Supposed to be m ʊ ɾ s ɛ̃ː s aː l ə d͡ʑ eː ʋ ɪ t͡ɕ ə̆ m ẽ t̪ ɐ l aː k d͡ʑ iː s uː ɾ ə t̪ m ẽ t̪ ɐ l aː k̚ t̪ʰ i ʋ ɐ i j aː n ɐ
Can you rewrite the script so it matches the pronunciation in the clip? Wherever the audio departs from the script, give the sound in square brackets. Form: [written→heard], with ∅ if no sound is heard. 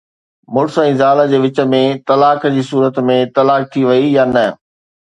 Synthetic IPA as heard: m ʊ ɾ s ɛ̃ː [s→z] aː l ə d͡ʑ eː ʋ ɪ t͡ɕ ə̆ m ẽ t̪ ɐ l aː k d͡ʑ iː s uː ɾ ə t̪ m ẽ t̪ ɐ l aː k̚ t̪ʰ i ʋ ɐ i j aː n ɐ